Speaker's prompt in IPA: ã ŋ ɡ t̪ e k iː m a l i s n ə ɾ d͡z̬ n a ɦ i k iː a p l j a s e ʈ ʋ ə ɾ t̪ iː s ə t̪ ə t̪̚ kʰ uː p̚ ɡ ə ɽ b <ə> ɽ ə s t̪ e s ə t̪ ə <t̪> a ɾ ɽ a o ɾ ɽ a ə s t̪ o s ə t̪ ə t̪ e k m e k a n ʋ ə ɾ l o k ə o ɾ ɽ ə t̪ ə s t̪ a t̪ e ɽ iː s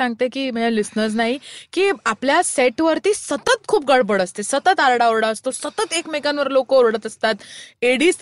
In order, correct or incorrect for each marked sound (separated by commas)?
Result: correct, correct